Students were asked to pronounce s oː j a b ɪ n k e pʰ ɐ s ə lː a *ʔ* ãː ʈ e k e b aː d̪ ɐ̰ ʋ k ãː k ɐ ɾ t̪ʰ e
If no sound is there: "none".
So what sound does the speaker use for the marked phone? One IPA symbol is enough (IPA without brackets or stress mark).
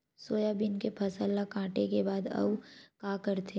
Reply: k